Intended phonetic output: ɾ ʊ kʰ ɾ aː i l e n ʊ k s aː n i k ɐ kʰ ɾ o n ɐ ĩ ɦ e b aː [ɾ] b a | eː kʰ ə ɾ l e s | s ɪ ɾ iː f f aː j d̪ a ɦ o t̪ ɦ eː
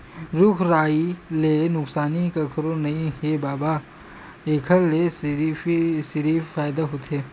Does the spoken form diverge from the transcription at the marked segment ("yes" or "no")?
yes